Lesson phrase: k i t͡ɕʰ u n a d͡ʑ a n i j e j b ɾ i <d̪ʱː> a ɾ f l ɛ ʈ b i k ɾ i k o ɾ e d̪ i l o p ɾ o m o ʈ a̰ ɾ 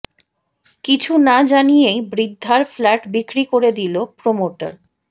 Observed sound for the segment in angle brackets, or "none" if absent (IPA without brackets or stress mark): d̪ʱː